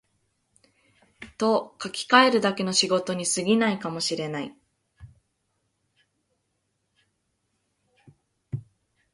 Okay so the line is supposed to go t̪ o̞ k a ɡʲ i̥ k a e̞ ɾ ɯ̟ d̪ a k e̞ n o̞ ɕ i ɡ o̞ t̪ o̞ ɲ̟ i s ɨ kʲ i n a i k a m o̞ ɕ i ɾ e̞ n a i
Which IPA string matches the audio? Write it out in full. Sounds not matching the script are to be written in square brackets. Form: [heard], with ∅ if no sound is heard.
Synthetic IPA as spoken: t̪ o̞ k a [kʲ] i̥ k a e̞ ɾ ɯ̟ d̪ a k e̞ n o̞ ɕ i ɡ o̞ t̪ o̞ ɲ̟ i s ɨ [ɡʲ] i n a i k a m o̞ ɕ i ɾ e̞ n a i